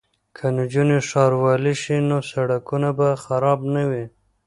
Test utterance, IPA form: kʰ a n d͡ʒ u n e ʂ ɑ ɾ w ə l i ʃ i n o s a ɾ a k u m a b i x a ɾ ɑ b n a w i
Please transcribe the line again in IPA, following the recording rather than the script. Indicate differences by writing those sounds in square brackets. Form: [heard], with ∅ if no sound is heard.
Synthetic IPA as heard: kʰ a n d͡ʒ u n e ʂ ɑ ɾ w [ɑ] l i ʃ i n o s a [ɽ] a k u [n] a b [a] x a ɾ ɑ b n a w i